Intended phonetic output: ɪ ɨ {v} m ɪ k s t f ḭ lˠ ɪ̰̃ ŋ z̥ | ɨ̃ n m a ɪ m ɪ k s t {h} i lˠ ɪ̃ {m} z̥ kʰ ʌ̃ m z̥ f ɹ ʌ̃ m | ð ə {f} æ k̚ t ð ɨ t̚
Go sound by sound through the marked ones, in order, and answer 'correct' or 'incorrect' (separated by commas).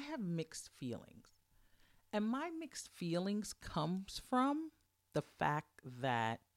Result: correct, incorrect, incorrect, correct